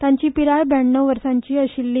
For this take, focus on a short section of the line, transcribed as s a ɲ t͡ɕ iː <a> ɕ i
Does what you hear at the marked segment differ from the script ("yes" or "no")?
yes